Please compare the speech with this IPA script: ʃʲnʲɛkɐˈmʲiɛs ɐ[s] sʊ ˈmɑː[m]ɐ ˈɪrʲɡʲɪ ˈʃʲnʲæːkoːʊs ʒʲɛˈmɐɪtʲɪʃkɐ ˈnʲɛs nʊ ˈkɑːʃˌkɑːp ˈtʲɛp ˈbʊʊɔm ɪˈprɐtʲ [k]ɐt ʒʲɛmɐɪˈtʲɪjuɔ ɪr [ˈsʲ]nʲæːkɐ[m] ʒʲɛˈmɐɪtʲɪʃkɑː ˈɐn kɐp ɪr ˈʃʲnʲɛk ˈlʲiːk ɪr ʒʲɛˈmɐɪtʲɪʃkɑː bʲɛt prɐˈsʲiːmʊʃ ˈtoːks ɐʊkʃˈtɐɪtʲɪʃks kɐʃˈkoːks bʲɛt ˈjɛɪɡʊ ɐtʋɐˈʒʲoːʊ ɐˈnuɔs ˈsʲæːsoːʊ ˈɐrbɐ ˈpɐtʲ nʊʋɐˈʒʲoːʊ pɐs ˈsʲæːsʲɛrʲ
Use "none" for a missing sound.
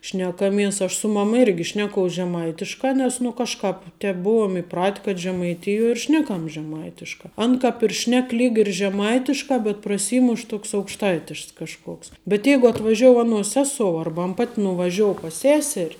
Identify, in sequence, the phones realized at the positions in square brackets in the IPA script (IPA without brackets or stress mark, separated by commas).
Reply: ʃ, m, k, ʃʲ, m